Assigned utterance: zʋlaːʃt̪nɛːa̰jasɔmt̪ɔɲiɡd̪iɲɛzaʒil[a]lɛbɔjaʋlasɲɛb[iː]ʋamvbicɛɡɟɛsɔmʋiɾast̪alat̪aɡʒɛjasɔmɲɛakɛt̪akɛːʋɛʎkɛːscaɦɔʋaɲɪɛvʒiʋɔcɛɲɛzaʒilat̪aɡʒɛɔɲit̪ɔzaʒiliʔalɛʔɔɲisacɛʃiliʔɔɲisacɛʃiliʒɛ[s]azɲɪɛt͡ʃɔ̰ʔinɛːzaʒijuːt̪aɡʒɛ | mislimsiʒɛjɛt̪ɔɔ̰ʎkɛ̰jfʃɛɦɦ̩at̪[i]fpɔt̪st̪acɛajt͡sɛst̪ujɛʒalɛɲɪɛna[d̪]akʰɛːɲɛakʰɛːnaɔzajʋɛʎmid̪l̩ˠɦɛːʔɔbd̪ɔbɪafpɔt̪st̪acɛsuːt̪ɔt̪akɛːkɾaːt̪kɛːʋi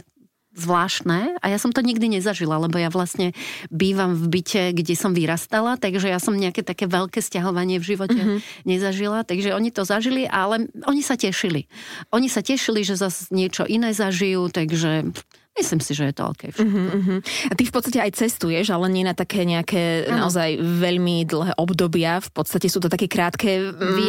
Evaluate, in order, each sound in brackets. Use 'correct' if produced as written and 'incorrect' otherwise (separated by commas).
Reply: correct, correct, incorrect, correct, incorrect